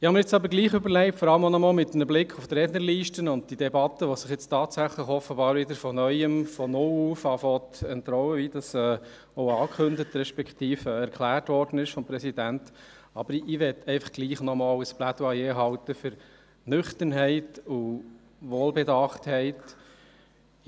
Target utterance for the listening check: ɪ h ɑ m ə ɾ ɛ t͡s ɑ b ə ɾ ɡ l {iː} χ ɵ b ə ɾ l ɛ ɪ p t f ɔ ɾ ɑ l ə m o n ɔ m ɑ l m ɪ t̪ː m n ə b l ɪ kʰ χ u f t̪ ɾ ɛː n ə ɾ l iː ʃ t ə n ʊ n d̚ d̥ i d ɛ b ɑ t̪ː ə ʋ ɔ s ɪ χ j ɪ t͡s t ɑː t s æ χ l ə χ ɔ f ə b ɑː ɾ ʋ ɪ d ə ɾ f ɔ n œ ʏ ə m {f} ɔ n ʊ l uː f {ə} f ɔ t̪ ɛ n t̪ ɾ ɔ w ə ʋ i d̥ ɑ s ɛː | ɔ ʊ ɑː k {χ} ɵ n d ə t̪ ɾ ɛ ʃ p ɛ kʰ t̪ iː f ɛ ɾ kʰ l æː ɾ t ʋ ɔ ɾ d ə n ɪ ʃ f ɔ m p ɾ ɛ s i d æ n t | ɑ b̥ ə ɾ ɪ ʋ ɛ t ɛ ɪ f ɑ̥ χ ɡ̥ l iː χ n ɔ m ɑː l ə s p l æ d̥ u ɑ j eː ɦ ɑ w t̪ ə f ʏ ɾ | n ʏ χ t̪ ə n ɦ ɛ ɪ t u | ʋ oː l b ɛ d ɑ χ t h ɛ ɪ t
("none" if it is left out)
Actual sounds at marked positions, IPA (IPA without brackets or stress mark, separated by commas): iː, f, ɑ, χ